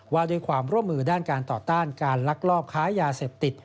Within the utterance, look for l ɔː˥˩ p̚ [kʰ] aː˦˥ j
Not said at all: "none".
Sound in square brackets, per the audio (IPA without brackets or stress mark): kʰ